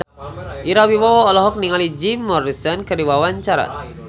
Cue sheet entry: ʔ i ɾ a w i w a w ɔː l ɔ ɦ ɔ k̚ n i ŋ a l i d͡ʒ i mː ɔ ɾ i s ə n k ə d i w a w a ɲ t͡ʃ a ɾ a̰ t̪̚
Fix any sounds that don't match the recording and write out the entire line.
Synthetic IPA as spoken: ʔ i ɾ a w i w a w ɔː l ɔ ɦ ɔ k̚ n i ŋ a l i d͡ʒ i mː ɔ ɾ i s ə n k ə d i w a w a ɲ t͡ʃ a ɾ a̰ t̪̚